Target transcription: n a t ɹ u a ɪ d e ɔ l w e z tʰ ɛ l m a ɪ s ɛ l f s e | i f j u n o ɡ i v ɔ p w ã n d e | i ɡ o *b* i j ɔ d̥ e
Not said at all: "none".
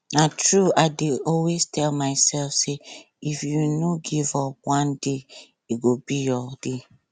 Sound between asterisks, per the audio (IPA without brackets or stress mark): b